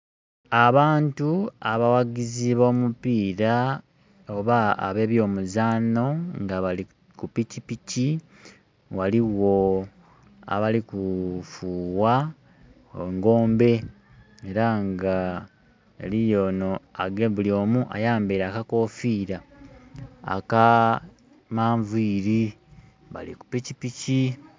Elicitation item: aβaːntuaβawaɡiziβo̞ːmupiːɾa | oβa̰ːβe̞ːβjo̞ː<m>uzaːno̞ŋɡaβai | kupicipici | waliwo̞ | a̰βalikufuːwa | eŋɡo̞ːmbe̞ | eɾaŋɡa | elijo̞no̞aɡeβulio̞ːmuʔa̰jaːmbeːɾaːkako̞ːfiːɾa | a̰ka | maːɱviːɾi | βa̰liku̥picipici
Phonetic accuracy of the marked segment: correct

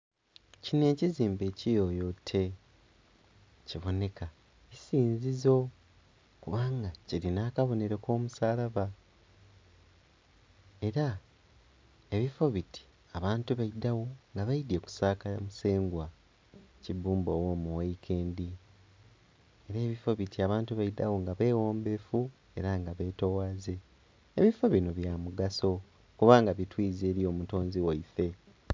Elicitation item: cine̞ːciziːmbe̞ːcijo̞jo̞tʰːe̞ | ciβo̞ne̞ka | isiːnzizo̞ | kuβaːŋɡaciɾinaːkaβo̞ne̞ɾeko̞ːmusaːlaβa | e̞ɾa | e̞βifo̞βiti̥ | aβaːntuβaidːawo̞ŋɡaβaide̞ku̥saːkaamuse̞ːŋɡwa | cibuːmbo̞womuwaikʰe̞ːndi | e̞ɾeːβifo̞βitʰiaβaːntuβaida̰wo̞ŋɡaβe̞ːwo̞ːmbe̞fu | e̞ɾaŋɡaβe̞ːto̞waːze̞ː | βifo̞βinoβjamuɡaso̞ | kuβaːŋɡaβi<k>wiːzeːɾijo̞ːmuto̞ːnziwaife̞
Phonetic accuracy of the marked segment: incorrect: t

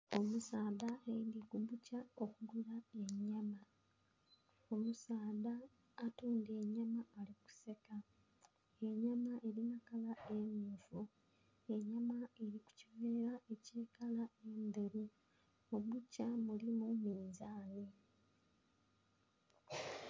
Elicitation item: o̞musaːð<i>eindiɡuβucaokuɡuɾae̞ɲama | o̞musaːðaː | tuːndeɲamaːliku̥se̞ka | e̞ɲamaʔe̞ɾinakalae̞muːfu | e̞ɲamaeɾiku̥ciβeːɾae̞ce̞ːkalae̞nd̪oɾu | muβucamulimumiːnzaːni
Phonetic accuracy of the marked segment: incorrect: a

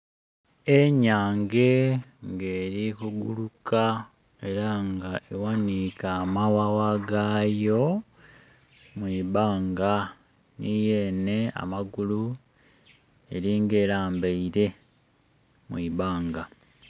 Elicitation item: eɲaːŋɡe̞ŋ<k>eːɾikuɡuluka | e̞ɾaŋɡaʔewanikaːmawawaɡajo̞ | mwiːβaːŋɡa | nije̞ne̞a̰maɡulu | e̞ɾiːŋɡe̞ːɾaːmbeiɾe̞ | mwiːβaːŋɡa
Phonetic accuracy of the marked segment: incorrect: ɡ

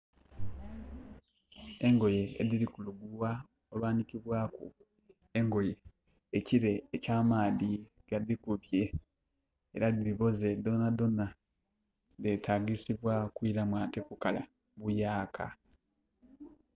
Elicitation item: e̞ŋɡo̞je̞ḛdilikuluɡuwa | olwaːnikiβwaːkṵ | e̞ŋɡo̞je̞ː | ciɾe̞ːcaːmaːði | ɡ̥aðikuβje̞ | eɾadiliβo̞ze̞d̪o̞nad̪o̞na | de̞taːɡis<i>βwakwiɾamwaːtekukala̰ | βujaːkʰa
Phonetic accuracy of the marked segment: correct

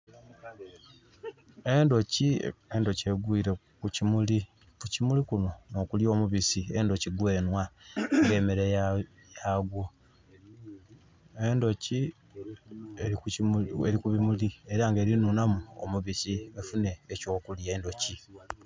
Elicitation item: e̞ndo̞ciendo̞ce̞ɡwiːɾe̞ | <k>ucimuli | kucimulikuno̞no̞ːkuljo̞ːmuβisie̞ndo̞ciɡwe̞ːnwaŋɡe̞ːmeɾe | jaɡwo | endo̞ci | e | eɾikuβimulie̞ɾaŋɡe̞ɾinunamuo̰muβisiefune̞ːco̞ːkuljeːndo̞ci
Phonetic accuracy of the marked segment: correct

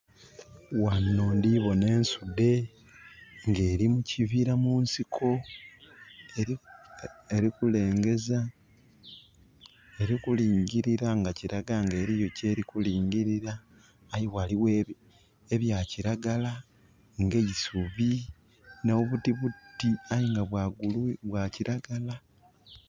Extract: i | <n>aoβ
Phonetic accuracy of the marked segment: correct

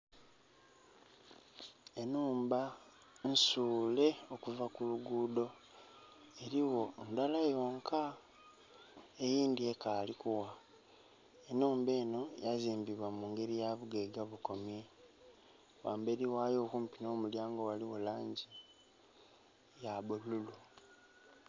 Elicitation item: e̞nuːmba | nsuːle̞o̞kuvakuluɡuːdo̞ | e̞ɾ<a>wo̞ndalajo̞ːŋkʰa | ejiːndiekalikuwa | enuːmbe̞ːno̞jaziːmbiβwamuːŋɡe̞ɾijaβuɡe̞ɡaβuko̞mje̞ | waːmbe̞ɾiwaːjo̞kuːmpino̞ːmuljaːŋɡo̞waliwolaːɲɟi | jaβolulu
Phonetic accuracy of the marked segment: incorrect: i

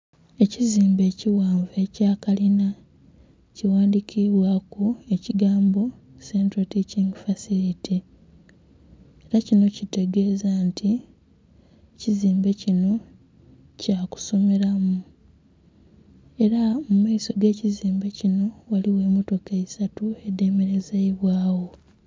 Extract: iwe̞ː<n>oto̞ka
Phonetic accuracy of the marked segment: incorrect: m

